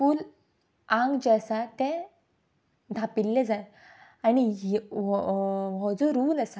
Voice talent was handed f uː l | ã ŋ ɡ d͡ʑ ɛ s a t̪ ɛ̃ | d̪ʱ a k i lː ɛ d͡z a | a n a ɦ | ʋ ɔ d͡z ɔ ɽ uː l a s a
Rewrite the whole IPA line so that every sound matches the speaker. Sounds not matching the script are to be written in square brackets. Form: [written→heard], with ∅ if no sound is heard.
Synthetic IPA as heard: f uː l | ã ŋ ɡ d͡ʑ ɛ s a t̪ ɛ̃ | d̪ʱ a [k→p] i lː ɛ d͡z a | a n [a→i] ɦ | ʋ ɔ d͡z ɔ [ɽ→ɾ] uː l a s a